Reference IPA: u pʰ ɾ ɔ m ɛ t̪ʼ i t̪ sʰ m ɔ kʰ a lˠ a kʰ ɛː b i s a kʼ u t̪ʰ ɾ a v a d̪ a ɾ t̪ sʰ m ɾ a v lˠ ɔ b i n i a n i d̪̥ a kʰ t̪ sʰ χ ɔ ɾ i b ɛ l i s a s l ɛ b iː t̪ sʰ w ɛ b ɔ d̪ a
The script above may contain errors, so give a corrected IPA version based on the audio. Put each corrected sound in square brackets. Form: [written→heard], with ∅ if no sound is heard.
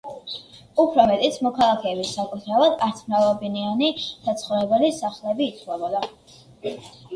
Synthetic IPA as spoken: u pʰ ɾ ɔ m ɛ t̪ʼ i t̪ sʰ m ɔ kʰ a lˠ a kʰ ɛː b i s a kʼ u t̪ʰ ɾ a v a d̪ a ɾ t̪ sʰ m ɾ a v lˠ ɔ b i n i a n i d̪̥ a [kʰ→∅] t̪ sʰ χ ɔ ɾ [i→ɛ] b ɛ l i s a [s→χ] l ɛ b iː t̪ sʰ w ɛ b ɔ d̪ a